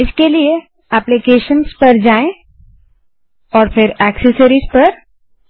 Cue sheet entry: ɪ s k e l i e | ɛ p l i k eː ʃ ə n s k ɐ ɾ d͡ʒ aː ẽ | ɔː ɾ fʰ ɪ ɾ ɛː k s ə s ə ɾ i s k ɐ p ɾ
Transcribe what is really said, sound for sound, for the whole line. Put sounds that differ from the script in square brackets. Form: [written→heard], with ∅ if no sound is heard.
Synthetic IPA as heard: ɪ s k e l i e | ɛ p l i k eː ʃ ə n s [k→p] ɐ ɾ d͡ʒ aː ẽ | ɔː ɾ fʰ ɪ ɾ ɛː k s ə s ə ɾ i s [k→p] ɐ [p→∅] ɾ

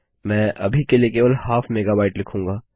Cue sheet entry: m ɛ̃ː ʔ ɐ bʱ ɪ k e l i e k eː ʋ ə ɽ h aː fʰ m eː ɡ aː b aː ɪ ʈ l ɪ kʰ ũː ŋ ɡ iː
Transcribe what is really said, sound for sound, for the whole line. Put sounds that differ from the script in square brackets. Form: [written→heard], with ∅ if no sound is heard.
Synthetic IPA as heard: m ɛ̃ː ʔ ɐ bʱ [ɪ→i] k e l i e k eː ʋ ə [ɽ→l] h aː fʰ m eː ɡ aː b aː ɪ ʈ l ɪ kʰ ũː ŋ ɡ [iː→aː]

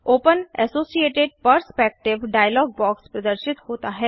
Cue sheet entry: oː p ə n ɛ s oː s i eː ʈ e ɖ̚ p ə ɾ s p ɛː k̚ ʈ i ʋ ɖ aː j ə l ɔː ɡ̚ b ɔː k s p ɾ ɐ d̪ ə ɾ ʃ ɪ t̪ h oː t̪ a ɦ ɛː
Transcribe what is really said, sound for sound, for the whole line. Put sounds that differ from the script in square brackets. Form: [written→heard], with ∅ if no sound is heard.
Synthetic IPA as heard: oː p ə n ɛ s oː s i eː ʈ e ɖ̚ p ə ɾ s p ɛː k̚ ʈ [i→ɪ] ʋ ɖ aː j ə l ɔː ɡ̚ b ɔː k s p ɾ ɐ d̪ ə ɾ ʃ ɪ t̪ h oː t̪ a ɦ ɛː

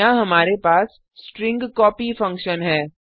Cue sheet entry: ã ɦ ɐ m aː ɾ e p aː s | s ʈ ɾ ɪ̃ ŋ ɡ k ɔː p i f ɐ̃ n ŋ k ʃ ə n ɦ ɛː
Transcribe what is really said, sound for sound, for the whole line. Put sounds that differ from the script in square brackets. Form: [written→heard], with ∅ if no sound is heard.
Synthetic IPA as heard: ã ɦ ɐ m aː ɾ e p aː s | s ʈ ɾ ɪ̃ ŋ ɡ k ɔː p i f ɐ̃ [n→∅] ŋ k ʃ ə n ɦ ɛː

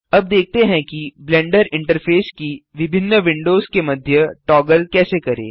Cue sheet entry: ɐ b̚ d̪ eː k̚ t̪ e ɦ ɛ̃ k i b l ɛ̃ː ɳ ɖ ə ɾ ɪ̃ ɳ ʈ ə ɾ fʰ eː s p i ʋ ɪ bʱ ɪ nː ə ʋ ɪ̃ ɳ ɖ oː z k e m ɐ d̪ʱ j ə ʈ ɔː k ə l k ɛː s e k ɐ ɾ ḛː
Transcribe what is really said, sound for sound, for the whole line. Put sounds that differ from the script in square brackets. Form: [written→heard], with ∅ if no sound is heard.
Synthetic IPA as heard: ɐ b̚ d̪ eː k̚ t̪ e ɦ ɛ̃ k i b l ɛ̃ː ɳ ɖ ə ɾ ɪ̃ ɳ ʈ ə ɾ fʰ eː s [p→k] i ʋ ɪ bʱ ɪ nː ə ʋ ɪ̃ ɳ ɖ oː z k e m ɐ d̪ʱ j ə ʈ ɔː [k→ɡ] ə l k ɛː s e k ɐ ɾ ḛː

